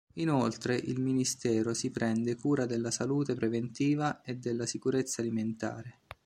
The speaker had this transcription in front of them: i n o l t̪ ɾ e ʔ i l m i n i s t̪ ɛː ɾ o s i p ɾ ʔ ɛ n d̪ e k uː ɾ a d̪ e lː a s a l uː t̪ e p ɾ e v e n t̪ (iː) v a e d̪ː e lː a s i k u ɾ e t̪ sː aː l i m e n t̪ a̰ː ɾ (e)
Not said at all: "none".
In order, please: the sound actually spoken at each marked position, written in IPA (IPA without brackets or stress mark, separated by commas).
iː, e